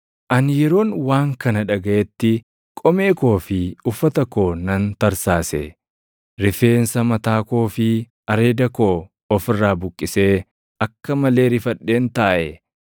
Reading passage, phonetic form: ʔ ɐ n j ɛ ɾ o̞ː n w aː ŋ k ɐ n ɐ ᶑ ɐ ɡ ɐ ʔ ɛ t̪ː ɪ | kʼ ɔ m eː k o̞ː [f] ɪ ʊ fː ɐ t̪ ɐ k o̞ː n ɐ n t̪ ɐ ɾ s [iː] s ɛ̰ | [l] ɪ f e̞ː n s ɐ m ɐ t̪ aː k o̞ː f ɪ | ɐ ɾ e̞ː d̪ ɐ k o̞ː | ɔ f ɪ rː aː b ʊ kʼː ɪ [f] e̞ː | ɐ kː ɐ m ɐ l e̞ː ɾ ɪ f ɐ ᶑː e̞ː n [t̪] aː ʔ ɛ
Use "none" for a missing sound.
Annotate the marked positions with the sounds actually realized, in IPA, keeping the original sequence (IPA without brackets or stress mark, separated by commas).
f, aː, ɾ, s, t̪